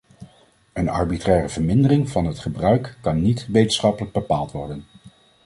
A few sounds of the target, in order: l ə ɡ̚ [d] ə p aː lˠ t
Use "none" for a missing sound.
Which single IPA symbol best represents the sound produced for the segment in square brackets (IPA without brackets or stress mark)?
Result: b